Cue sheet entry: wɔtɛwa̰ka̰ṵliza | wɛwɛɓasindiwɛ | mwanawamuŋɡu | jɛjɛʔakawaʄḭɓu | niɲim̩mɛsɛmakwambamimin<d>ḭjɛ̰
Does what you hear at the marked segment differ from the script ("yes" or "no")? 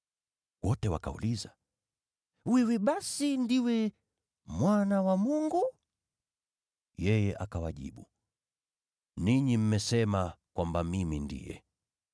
no